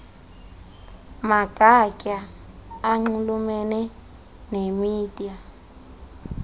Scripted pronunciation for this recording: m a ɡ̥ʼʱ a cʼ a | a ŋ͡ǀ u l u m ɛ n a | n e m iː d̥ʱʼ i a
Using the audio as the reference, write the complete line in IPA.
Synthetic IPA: m a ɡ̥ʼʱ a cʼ a | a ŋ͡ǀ u l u m ɛ n ɛ | n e m iː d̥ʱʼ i a

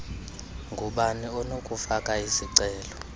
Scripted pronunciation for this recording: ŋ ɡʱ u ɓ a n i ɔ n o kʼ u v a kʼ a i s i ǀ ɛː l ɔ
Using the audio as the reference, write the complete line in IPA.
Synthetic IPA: ŋ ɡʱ u ɓ a n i ɔ n o kʼ u f a kʼ a i s i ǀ ɛː l ɔ

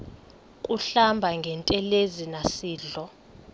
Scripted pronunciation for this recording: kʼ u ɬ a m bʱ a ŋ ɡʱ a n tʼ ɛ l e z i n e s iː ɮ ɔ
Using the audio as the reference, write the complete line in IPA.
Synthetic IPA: kʼ u ɬ a m bʱ a ŋ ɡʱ ɛ n tʼ ɛ l e z i n a s iː ɮ ɔ

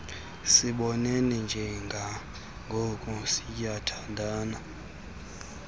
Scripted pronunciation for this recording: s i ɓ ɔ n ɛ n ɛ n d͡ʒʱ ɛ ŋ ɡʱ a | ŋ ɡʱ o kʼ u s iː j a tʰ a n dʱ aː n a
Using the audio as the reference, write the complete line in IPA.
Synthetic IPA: s i ɓ ɔ n ɛ n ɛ n d͡ʒʱ ɛ ŋ ɡʱ a | ŋ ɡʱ o kʼ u s i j a tʰ a n dʱ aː n a

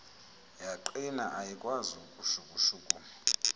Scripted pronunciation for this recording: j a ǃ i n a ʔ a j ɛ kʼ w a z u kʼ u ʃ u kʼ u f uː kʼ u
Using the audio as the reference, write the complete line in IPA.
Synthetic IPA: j a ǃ i n a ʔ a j i kʼ w a z u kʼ u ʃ u kʼ u ʃ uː kʼ u

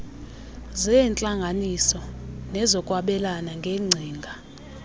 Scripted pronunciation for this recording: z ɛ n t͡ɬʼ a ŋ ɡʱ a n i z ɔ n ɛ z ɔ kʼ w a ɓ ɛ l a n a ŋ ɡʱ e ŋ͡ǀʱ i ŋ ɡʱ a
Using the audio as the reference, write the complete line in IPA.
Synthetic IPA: z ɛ n t͡ɬʼ a ŋ ɡʱ a n i s ɔ n ɛ z ɔ kʼ w a ɓ ɛ l a n a ŋ ɡʱ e ŋ͡ǀʱ iː ŋ ɡʱ a

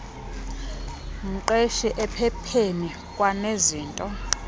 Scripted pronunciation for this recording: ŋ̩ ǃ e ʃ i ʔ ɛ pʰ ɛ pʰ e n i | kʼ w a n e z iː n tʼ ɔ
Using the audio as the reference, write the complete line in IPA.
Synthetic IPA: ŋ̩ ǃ e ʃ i ʔ ɛ pʰ ɛ pʰ e n i | kʼ w a n e z iː n tʼ ɔ

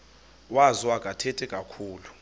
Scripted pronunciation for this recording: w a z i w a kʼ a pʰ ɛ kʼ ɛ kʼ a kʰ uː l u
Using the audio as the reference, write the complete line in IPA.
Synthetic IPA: w a z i w a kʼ a tʰ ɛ tʼ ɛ kʼ a kʰ uː l u

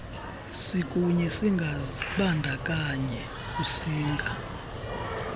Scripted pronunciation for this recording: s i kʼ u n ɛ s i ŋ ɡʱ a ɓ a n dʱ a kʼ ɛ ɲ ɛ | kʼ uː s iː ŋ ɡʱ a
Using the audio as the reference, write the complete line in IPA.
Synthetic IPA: s i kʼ u ɲ ɛ s i ŋ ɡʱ a ɓ a n dʱ a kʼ a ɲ ɛ | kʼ u s iː ŋ ɡʱ a

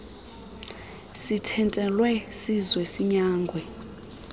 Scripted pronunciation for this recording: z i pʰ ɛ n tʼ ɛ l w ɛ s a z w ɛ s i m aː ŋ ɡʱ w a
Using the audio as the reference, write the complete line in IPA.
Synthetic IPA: s i tʰ ɛ n tʼ ɛ l w ɛ s i z w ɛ s i ɲ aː ŋ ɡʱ w ɛ

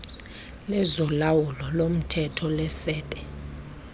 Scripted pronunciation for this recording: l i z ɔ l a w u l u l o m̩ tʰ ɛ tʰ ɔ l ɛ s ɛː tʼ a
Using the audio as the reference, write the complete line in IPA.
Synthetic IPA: l ɛ z ɔ l a w u l ɔ l o m̩ tʰ ɛ tʰ ɔ l ɛ s ɛː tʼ ɛ

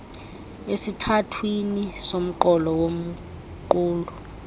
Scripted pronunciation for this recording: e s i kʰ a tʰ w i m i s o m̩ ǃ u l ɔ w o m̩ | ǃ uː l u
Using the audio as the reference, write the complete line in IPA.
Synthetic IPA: e s i tʰ a tʰ w i n i s o m̩ ǃ ɔ l ɔ w o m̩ | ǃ uː l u

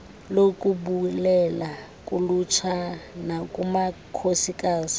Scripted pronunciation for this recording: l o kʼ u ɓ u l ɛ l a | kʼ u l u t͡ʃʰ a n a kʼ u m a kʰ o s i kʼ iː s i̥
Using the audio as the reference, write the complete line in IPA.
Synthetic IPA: l o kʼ u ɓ u l ɛ l a | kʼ u l u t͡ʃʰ a n a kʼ u m a kʰ o s i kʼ aː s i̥

